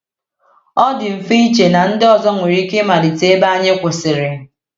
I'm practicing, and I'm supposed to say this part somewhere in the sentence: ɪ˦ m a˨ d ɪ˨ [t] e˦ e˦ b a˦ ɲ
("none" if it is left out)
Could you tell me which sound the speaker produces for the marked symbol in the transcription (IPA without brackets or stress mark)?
t